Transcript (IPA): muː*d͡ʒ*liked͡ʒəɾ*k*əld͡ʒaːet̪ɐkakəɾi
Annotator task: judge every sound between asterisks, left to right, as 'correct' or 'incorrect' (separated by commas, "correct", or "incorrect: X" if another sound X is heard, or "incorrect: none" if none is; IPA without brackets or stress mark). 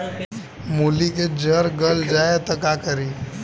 incorrect: none, incorrect: ɡ